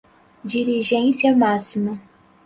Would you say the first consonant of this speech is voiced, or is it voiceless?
voiced